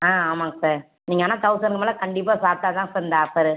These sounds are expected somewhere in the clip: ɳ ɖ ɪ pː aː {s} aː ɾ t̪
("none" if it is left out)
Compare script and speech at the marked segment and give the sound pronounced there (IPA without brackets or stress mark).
s